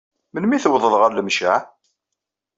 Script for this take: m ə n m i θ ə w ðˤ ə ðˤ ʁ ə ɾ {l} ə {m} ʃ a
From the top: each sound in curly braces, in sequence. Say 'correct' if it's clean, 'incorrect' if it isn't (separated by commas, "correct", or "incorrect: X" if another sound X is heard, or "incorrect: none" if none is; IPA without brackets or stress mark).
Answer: correct, correct